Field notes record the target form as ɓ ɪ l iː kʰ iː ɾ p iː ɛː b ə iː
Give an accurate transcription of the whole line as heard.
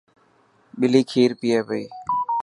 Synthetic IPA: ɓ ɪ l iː kʰ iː ɾ p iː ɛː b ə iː